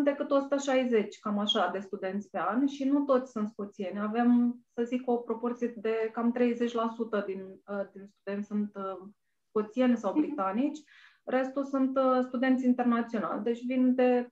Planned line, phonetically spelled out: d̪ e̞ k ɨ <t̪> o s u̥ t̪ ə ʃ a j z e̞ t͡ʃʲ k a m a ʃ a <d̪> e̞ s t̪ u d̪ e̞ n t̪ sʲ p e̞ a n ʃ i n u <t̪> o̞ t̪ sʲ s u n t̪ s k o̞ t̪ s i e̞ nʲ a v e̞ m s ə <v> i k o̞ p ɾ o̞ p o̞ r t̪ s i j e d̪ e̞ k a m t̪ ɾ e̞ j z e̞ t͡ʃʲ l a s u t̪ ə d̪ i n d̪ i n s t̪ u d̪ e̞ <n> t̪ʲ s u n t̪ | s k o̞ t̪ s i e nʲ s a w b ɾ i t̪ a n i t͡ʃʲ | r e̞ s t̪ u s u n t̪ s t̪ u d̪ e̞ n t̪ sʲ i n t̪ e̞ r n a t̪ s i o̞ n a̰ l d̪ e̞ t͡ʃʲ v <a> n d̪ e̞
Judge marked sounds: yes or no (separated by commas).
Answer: yes, yes, yes, no, yes, no